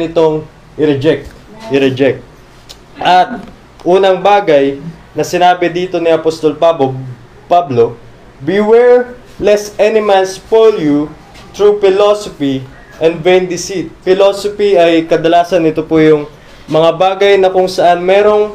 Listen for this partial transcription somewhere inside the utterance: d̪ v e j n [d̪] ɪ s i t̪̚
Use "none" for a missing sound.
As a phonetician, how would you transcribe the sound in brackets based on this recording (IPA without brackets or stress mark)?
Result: d̪